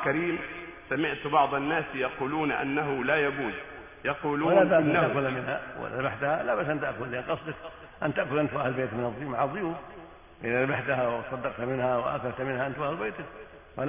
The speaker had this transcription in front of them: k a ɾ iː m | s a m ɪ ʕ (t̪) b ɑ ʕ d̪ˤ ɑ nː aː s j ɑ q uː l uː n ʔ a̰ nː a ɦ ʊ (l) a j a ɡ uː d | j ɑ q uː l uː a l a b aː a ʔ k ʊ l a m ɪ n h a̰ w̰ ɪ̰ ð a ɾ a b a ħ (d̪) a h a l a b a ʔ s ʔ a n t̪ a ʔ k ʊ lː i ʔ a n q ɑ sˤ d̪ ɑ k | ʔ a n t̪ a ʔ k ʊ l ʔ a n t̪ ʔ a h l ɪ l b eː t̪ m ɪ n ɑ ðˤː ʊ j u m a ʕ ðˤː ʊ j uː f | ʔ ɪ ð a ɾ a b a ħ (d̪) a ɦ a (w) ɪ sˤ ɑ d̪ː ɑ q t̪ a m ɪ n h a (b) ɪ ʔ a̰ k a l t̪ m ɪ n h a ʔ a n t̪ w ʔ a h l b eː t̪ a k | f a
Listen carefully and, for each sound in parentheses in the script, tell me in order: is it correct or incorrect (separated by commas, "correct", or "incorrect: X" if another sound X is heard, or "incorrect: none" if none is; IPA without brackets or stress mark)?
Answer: correct, correct, incorrect: t̪, incorrect: t̪, correct, incorrect: w